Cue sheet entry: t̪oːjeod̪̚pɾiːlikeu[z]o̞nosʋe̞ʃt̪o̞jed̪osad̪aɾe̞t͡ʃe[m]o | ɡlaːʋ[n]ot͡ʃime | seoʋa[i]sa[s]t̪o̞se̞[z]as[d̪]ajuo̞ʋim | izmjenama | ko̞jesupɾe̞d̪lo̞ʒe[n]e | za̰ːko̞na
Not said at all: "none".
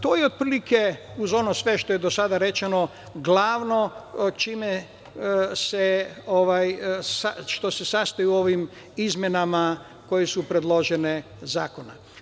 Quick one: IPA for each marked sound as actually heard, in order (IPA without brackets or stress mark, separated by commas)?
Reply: z, n, n, j, ʃ, s, t̪, n